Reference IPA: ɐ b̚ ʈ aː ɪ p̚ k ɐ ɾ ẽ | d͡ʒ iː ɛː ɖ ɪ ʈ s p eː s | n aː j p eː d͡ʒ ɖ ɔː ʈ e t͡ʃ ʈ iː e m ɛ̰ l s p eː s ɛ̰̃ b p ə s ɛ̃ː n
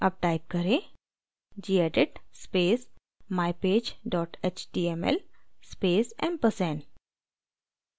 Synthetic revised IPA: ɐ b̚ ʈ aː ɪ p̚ k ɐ ɾ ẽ | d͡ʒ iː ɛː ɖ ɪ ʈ s p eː s | m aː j p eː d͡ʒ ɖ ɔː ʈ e t͡ʃ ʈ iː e m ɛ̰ l s p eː s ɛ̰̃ m p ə s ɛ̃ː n